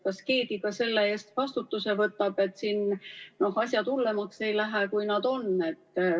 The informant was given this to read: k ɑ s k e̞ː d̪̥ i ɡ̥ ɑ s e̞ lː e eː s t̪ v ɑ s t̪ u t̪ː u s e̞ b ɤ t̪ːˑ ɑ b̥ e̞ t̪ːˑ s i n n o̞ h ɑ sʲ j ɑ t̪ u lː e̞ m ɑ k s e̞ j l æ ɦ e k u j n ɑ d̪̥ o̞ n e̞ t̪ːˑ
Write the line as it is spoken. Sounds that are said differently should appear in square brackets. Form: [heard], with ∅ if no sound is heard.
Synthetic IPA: k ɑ s k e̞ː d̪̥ i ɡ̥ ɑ s e̞ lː e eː s t̪ v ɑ s t̪ u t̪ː u s e̞ [v] ɤ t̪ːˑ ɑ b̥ e̞ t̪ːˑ s i n n o̞ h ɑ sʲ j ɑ t̪ u lː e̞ m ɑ k s e̞ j l æ ɦ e k u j n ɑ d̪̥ o̞ n e̞ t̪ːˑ